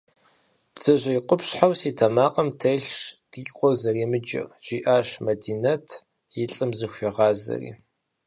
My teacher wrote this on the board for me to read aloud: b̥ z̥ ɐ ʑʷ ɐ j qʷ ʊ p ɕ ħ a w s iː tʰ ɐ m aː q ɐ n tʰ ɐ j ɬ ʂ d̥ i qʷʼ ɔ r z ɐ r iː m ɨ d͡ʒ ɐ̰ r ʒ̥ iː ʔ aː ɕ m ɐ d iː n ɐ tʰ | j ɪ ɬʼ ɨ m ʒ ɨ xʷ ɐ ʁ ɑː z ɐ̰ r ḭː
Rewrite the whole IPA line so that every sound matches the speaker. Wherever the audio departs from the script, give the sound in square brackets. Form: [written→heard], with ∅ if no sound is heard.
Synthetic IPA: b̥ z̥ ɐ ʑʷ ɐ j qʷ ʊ p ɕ ħ a w s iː tʰ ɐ m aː q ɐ [n→m] tʰ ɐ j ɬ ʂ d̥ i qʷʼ ɔ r z ɐ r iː m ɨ d͡ʒ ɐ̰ r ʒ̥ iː ʔ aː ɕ m ɐ d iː n ɐ tʰ | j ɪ ɬʼ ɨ m [ʒ→z] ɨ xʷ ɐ ʁ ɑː z ɐ̰ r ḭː

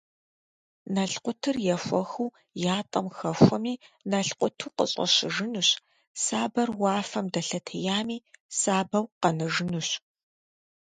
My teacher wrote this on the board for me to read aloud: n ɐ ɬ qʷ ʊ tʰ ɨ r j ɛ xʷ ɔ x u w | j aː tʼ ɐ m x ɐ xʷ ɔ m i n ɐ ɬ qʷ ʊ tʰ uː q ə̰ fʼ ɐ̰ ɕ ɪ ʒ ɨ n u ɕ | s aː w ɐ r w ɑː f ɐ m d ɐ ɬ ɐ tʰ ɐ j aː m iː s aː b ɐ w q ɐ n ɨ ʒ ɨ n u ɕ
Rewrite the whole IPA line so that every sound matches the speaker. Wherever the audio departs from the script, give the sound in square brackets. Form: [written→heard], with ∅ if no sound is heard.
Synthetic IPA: n ɐ ɬ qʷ ʊ tʰ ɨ r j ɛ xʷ ɔ x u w | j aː tʼ ɐ m x ɐ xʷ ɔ m [i→iː] n ɐ ɬ qʷ ʊ tʰ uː q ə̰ [fʼ→ɕʼ] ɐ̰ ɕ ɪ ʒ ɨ n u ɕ | s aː [w→b] ɐ r w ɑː f ɐ m d ɐ ɬ ɐ tʰ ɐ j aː m iː s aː b ɐ w q ɐ n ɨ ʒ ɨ n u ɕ

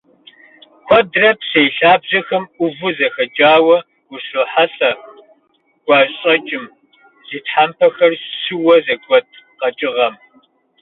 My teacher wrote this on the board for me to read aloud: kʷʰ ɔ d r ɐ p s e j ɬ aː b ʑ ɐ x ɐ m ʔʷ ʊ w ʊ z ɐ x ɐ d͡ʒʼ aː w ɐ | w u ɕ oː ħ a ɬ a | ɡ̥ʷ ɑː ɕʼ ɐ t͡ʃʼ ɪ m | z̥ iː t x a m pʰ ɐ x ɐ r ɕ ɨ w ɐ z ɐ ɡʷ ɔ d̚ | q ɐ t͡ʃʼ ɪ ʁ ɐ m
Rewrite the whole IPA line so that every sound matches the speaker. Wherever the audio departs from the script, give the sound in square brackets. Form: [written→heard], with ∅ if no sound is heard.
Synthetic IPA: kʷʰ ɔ d r ɐ p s e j ɬ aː b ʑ ɐ x ɐ m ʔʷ ʊ [w→v] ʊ z ɐ x ɐ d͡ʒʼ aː w ɐ | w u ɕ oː ħ a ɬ [a→ɐ] | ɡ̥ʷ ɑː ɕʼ ɐ t͡ʃʼ ɪ m | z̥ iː t [x→ħ] a m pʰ ɐ x ɐ r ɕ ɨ w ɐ z ɐ ɡʷ ɔ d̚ | q ɐ t͡ʃʼ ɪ ʁ ɐ m

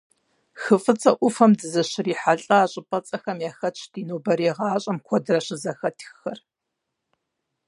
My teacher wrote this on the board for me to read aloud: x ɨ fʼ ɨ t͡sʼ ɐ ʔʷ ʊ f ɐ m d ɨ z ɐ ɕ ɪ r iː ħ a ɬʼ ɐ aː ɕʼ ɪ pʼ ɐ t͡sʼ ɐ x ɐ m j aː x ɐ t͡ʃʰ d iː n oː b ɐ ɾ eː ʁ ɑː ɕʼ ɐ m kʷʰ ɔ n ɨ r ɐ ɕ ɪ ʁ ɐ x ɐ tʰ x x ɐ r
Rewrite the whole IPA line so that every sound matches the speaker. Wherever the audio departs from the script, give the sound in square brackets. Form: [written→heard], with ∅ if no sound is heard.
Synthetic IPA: x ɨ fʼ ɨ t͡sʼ ɐ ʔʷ ʊ f ɐ m d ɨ z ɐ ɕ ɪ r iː ħ a ɬʼ ɐ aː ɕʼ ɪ pʼ ɐ t͡sʼ ɐ x ɐ m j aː x ɐ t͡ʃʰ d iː n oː b ɐ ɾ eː ʁ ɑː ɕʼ ɐ m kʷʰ ɔ [n→d] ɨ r ɐ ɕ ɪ [ʁ→z] ɐ x ɐ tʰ x x ɐ r

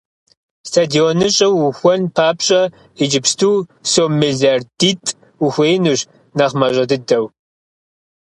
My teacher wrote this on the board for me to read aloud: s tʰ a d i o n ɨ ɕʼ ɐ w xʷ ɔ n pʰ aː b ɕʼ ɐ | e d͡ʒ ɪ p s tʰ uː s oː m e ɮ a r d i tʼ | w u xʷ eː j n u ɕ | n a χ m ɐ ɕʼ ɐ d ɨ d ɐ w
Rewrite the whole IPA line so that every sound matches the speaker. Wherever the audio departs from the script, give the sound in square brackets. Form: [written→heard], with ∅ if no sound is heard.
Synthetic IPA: s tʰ a d i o n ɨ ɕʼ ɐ w xʷ ɔ n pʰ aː [b→p] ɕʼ ɐ | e d͡ʒ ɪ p s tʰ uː s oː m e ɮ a r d i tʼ | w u xʷ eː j n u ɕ | n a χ m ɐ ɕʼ ɐ d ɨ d ɐ w

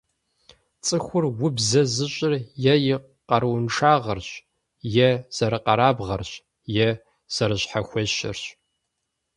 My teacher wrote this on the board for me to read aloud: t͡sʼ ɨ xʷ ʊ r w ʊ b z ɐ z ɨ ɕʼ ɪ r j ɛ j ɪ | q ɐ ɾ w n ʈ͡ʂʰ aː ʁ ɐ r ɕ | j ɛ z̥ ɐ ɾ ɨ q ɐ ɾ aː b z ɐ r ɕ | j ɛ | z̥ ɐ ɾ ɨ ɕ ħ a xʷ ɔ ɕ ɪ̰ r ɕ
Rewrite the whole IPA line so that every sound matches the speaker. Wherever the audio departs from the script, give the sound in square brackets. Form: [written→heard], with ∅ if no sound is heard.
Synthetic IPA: t͡sʼ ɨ xʷ ʊ r w ʊ b z ɐ z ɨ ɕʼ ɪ r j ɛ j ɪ | q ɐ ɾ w n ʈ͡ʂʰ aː ʁ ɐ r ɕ | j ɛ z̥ ɐ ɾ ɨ q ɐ ɾ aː b [z→ʁ] ɐ r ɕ | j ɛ | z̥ ɐ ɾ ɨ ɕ ħ a xʷ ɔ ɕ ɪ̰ r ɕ

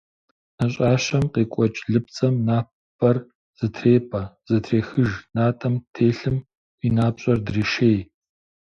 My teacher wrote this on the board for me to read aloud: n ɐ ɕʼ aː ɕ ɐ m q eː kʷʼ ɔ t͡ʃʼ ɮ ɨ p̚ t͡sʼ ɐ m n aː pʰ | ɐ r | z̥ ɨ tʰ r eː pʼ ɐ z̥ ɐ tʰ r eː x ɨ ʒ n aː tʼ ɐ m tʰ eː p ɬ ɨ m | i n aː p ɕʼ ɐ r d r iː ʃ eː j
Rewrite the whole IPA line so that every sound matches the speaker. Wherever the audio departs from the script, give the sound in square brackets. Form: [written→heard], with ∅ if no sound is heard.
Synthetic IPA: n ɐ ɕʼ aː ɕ ɐ m q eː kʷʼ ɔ t͡ʃʼ ɮ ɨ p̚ t͡sʼ ɐ m n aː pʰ | ɐ r | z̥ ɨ tʰ r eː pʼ ɐ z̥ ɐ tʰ r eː x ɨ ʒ n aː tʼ ɐ m tʰ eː [p→∅] ɬ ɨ m | i n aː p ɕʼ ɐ r d r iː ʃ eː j

